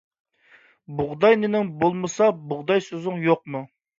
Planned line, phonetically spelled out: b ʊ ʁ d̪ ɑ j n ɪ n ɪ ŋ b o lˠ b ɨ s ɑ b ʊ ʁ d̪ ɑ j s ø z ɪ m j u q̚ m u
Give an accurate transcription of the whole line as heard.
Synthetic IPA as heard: b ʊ ʁ d̪ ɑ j n ɪ n ɪ ŋ b o lˠ m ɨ s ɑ b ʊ ʁ d̪ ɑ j s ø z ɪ ŋ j o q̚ m u